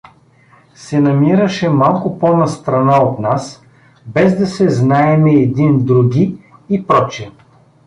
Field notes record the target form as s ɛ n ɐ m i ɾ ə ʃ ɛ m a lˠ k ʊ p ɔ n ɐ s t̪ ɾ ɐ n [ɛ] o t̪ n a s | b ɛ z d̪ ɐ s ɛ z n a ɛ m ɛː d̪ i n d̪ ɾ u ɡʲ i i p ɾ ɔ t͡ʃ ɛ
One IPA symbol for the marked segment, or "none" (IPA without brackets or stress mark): a